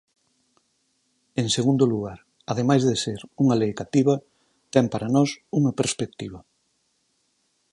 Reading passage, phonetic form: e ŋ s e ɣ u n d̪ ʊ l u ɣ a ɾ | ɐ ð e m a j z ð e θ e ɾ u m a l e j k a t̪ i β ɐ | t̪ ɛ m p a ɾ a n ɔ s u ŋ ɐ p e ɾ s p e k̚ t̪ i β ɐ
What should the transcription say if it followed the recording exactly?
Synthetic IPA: e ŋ s e ɣ u n d̪ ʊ l u ɣ a ɾ | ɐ ð e m a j z ð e s e ɾ u ŋ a l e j k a t̪ i β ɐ | t̪ ɛ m p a ɾ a n ɔ s u ŋ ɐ p e ɾ s p e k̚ t̪ i β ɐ

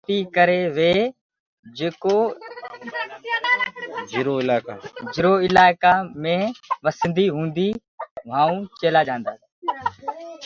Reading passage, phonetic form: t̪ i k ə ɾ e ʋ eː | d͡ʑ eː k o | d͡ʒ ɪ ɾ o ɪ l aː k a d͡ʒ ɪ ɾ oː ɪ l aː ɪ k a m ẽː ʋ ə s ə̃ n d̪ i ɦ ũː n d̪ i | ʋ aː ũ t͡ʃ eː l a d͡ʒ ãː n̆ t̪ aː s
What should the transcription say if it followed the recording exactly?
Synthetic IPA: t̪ i k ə ɾ e ʋ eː | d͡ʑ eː k o | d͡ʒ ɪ ɾ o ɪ l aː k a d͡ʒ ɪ ɾ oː ɪ l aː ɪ k a m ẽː ʋ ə s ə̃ n d̪ i ɦ ũː n d̪ i | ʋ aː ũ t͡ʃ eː l a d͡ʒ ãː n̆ d̪ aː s

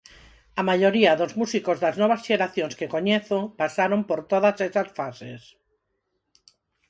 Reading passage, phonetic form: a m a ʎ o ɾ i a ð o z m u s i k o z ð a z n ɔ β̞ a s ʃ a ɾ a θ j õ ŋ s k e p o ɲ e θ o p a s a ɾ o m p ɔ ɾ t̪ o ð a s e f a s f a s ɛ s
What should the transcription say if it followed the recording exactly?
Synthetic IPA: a m a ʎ o ɾ i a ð o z m u s i k o z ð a z n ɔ β̞ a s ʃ e ɾ a θ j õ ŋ s k e k o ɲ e θ o p a s a ɾ o m p o ɾ t̪ o ð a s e s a s f a s e s

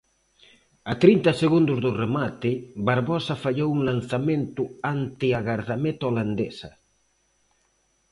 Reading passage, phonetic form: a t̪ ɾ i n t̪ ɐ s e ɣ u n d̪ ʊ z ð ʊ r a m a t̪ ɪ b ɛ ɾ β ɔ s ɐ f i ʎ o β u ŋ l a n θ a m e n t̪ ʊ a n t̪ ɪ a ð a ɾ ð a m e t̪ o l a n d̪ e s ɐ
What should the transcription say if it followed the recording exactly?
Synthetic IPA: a t̪ ɾ i n t̪ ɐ s e ɣ u n d̪ ʊ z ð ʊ r e m a t̪ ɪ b a ɾ β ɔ s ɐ f a ʎ o w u ŋ l a n θ a m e n t̪ ʊ a n t̪ ɪ a ɣ a ɾ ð a m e t̪ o l a n d̪ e s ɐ

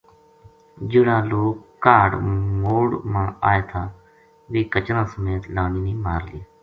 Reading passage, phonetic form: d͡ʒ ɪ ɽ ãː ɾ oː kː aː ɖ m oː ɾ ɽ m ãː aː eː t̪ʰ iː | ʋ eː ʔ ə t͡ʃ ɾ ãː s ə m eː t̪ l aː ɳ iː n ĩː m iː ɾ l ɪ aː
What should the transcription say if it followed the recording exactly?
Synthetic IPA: d͡ʒ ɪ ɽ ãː l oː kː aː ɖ m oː ɽ m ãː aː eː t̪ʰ aː | ʋ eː k ə t͡ʃ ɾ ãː s ə m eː t̪ l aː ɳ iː n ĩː m aː ɾ l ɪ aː

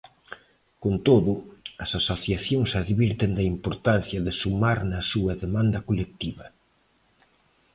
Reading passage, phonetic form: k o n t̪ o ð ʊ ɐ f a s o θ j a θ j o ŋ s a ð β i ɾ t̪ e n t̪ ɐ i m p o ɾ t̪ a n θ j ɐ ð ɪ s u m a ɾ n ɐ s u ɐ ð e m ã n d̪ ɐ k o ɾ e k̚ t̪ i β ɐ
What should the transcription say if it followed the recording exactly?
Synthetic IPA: k o n t̪ o ð ʊ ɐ s a s o θ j a θ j o ŋ s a ð β i ɾ t̪ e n d̪ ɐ i m p o ɾ t̪ a n θ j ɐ ð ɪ s u m a ɾ n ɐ s u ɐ ð e m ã n d̪ ɐ k o l e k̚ t̪ i β ɐ

